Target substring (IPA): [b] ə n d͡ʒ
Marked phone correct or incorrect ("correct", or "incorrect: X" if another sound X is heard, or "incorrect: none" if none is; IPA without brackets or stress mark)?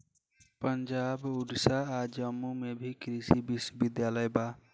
incorrect: p